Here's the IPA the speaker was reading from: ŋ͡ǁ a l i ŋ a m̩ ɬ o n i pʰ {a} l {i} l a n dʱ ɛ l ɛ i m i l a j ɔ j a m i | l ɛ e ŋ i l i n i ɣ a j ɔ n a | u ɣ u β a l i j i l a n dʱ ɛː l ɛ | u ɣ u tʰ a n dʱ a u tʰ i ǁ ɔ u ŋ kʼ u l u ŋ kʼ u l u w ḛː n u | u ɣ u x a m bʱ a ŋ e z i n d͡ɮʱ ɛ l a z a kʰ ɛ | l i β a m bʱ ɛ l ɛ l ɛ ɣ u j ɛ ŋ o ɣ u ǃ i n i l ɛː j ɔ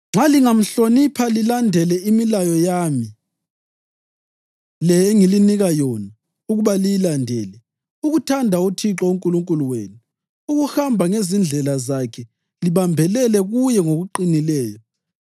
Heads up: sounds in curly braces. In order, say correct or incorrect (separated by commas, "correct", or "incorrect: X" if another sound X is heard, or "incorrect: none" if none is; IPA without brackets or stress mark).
correct, correct